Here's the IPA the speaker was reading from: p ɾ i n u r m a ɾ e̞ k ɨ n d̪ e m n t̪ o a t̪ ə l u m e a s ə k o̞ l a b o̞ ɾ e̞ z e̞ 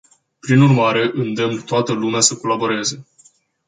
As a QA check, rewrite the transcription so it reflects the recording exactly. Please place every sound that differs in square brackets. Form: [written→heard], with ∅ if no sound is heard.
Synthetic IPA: p ɾ i n u r m a ɾ e̞ [k→ʔ] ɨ n d̪ e m n t̪ o a t̪ ə l u m e a s ə k o̞ l a b o̞ ɾ e̞ z e̞